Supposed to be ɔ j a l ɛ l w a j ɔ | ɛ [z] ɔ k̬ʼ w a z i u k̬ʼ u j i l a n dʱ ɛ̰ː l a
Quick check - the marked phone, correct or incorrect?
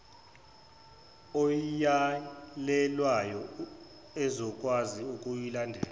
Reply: correct